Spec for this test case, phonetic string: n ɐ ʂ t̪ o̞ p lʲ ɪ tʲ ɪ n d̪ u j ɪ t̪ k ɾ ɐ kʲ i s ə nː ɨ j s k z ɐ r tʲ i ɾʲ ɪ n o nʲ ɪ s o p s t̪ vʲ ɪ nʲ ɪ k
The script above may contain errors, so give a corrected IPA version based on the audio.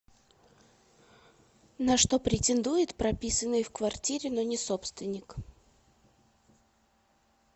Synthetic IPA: n ɐ ʂ t̪ o̞ p ɾʲ ɪ tʲ ɪ n d̪ u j ɪ t̪ p ɾ ɐ pʲ i s ə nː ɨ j f k v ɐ r tʲ i ɾʲ ɪ n o nʲ ɪ s o p s t̪ vʲ ɪ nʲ ɪ k